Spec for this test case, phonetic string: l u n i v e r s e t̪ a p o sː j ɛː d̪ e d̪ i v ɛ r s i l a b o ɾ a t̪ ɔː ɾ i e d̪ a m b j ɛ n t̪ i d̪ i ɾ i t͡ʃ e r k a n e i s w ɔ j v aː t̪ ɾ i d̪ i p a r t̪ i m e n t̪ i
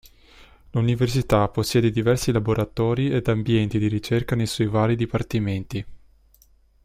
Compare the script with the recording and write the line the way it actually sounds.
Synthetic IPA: l u n i v e r s i t̪ a p o sː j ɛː d̪ e d̪ i v ɛ r s i l a b o ɾ a t̪ ɔː ɾ i e d̪ a m b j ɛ n t̪ i d̪ i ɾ i t͡ʃ e r k a n e j s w ɔ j v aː ɾ i d̪ i p a r t̪ i m e n t̪ i